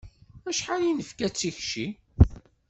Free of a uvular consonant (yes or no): yes